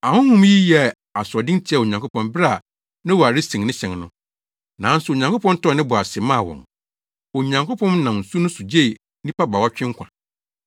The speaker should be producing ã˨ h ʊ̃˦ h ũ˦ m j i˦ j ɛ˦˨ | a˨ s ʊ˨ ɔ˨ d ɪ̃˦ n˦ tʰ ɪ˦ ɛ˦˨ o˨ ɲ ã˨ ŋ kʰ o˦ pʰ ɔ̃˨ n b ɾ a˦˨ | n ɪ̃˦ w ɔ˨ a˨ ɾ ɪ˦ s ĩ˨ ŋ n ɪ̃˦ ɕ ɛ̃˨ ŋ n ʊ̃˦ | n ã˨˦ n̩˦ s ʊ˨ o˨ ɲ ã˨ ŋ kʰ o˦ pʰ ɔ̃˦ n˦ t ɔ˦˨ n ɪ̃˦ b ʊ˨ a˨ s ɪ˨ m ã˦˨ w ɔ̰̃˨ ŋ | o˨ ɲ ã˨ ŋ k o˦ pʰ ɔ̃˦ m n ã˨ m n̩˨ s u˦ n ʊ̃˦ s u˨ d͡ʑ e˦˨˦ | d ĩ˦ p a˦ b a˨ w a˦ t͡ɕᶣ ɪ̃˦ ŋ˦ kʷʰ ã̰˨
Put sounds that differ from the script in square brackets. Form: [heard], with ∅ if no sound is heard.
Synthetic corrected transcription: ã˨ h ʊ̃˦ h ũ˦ m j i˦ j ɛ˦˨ | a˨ s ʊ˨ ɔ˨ d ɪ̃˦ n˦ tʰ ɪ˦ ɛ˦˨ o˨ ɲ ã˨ ŋ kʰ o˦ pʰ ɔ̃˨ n b ɾ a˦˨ | n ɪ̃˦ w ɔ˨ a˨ ɾ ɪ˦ s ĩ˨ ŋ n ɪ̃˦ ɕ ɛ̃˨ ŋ n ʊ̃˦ | n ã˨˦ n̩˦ s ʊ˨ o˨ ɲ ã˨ ŋ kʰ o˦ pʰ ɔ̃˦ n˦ t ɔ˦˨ n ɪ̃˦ b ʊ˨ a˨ s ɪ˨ m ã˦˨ w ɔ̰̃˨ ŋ | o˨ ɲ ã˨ ŋ k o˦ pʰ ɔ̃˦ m n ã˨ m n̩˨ s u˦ n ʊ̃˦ s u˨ d͡ʑ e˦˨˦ | [n] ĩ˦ p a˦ b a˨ w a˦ t͡ɕᶣ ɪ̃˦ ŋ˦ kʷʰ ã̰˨

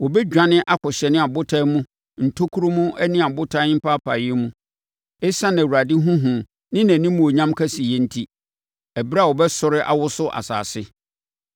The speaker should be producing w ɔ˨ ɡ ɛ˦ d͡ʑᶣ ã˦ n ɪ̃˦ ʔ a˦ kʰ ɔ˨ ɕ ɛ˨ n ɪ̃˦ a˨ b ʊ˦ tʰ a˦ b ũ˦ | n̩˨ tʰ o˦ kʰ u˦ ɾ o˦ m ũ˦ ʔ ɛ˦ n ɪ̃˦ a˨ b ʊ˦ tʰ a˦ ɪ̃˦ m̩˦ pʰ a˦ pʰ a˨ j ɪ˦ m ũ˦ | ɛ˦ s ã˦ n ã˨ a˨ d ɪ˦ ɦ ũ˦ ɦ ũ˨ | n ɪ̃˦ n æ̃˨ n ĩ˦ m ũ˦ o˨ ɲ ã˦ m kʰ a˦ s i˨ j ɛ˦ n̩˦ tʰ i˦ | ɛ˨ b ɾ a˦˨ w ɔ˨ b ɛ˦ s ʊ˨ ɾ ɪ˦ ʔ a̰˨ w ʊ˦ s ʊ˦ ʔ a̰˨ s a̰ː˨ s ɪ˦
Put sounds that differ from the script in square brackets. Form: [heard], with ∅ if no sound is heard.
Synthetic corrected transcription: w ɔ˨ [b] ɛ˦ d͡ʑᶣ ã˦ n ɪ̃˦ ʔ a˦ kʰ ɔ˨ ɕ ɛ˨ n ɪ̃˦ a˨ b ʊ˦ tʰ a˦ [m] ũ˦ | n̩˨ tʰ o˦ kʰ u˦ ɾ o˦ m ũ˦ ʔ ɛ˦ n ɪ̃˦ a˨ b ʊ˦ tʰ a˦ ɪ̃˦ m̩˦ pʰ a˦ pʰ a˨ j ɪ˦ m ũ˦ | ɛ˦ s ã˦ n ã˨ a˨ d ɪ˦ ɦ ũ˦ ɦ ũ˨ | n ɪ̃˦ n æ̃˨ n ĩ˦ m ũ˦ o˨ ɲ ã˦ m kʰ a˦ s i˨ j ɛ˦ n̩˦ tʰ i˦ | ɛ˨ b ɾ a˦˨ w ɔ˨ b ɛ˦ s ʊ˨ ɾ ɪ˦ ʔ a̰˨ w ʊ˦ s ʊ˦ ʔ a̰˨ s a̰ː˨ s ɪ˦

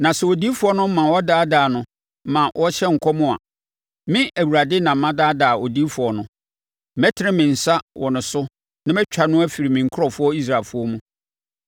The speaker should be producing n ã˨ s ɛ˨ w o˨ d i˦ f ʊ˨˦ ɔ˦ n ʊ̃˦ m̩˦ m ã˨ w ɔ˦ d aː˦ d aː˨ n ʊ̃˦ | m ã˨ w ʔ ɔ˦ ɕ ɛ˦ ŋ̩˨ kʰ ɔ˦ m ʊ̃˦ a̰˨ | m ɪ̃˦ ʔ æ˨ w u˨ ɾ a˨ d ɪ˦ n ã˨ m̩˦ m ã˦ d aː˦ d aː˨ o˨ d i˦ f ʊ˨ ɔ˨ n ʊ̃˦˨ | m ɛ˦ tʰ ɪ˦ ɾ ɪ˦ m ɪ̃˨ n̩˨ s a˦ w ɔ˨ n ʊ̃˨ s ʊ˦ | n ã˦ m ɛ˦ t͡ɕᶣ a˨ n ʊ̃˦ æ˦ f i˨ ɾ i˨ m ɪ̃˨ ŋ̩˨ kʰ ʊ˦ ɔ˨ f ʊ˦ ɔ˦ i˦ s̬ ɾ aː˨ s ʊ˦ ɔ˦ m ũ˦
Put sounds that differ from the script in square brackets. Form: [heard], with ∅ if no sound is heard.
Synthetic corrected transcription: n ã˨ s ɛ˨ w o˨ d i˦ f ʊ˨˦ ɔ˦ n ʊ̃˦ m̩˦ m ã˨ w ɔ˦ d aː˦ d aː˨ n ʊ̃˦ | m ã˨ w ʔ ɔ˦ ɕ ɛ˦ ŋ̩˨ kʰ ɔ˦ m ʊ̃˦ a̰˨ | m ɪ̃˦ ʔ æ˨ w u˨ ɾ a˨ d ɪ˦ n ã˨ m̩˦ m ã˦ d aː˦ d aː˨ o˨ d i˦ f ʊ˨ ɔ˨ n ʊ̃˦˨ | m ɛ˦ tʰ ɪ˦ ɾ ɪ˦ m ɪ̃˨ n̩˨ s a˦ w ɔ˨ n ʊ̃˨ s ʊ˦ | n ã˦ m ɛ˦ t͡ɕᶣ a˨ n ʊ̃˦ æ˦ f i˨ ɾ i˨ m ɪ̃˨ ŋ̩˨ kʰ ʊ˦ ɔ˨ f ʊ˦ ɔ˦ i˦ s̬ ɾ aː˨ [f] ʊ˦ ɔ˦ m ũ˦

